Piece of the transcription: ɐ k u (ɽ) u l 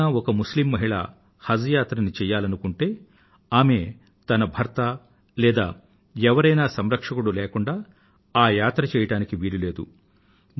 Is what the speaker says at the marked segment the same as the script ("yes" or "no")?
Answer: yes